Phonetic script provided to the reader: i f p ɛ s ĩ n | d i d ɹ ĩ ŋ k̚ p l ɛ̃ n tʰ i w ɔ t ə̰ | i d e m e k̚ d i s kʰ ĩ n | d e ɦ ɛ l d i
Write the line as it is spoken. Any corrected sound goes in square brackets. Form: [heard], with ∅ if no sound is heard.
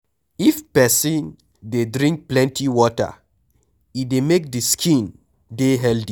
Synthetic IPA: i f p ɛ s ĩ n | d [e] d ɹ ĩ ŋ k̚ p l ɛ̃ n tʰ i w ɔ t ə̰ | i d e m e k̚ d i s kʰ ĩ n | d e ɦ ɛ l d i